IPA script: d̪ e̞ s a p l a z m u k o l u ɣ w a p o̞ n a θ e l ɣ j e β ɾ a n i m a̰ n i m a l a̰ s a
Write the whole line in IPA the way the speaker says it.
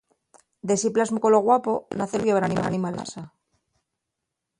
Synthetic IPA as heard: d̪ e̞ s i p l a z m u k o l o ɣ w a p o̞ n a θ e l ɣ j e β ɾ a n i m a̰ n i m a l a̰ s a

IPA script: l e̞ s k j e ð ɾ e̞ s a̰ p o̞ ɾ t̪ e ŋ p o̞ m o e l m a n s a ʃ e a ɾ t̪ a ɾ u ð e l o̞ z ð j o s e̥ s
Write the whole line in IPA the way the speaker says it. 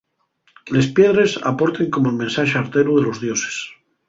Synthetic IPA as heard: l e̞ s p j e ð ɾ e̞ s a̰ p o̞ ɾ t̪ e ŋ k o̞ m o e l m e n s a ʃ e a ɾ t̪ e ɾ u ð e l o̞ z ð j o s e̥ s

